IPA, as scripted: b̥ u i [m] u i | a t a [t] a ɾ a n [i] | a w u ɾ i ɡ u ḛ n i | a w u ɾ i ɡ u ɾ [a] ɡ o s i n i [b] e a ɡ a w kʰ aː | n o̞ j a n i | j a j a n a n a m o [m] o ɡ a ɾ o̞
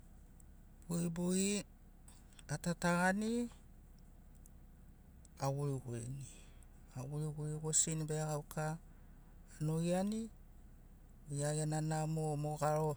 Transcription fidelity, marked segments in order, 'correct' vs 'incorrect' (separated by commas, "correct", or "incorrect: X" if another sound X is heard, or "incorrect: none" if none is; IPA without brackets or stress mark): incorrect: b, correct, correct, incorrect: i, correct, correct